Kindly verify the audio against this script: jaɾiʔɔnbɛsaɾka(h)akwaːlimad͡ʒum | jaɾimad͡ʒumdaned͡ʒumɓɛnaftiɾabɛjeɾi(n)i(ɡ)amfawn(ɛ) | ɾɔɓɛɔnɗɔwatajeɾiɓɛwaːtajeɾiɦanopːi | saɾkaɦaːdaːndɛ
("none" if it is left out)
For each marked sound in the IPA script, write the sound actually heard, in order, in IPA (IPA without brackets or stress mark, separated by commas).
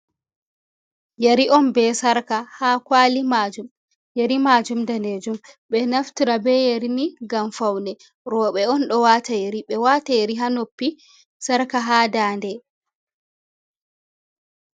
h, n, ɡ, ɛ